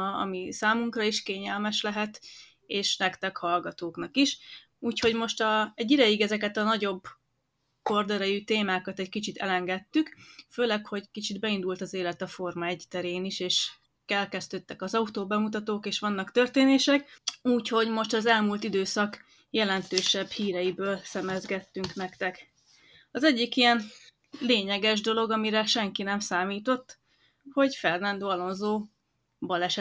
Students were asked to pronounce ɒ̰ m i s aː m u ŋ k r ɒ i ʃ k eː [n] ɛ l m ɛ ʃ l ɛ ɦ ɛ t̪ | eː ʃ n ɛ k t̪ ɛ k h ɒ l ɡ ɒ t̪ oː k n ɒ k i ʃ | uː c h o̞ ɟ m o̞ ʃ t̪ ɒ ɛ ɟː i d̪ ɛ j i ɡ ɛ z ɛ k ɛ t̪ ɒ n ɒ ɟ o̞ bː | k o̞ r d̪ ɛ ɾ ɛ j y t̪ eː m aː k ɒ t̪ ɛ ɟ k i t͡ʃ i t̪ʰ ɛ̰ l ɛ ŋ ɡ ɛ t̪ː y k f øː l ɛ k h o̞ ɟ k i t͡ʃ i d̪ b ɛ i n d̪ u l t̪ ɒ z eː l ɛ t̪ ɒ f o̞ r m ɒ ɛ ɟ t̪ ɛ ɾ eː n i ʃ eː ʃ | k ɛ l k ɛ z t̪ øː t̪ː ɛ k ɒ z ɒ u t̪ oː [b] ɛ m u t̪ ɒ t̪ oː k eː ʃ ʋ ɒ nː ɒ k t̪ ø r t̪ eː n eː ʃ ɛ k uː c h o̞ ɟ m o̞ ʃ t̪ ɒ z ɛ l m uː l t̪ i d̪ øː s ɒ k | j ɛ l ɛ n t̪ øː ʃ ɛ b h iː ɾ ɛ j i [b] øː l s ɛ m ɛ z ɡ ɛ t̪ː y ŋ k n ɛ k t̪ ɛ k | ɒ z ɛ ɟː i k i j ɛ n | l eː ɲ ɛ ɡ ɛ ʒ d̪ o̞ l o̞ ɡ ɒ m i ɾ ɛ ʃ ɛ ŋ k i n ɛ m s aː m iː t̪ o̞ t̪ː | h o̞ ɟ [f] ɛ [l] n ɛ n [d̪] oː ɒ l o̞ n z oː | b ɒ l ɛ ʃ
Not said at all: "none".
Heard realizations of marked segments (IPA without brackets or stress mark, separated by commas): ɲ, b, b, f, r, d̪